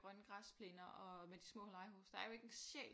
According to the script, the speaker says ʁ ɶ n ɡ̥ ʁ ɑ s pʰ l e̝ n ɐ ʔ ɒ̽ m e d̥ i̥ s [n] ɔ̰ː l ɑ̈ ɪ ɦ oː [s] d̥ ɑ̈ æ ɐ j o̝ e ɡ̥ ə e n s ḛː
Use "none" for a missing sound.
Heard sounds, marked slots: m, s

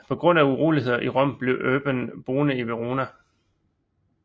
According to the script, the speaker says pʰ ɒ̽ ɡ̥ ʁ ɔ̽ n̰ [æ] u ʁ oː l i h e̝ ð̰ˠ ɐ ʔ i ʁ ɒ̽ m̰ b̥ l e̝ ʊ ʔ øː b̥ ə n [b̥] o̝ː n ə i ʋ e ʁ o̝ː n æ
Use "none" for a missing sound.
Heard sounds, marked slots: æ, b̥

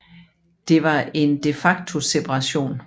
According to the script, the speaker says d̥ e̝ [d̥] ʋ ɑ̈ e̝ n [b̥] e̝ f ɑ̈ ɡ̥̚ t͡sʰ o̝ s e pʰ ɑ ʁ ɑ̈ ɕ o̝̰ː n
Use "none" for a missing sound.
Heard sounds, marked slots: none, d̥

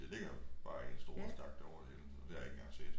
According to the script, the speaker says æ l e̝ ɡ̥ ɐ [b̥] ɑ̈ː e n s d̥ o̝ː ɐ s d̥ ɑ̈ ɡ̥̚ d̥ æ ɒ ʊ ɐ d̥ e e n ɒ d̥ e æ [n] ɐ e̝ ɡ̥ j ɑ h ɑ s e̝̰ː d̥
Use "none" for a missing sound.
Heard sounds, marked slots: b̥, none

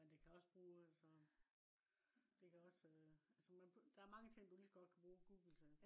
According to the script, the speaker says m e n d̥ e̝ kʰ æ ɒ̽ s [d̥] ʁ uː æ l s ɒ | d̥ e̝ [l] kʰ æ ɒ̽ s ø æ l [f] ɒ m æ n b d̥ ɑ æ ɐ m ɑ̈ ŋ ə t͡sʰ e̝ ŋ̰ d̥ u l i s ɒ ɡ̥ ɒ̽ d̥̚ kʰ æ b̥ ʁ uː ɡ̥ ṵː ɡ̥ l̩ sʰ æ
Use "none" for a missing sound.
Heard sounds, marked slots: b̥, none, s

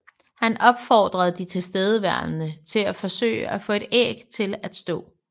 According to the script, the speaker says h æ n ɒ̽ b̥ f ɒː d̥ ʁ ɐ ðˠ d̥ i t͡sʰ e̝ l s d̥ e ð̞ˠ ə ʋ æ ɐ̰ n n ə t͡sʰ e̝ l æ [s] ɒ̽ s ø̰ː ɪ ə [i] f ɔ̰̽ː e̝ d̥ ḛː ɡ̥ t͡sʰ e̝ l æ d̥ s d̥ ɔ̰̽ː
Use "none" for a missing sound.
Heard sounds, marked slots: f, æ

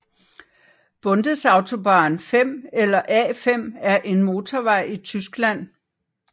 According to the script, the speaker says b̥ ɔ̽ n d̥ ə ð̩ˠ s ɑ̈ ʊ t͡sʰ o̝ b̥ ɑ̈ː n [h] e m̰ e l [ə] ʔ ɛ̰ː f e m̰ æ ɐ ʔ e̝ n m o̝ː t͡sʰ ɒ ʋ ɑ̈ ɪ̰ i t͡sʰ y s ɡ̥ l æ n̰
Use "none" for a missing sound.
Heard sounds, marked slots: f, ɐ

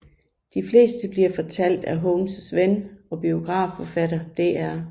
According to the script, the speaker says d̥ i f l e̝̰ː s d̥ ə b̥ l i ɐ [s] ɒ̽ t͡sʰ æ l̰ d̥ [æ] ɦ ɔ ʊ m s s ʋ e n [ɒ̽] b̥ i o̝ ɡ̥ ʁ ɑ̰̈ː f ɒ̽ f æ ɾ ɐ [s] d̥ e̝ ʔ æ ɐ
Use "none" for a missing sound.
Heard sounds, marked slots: f, æ, ɒ̽, none

